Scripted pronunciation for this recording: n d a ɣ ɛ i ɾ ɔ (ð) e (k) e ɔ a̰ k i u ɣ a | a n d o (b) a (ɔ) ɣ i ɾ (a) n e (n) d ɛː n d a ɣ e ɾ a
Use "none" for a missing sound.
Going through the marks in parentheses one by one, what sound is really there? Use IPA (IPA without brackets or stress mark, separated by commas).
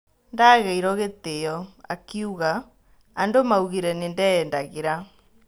ɣ, t, m, u, ɛ, n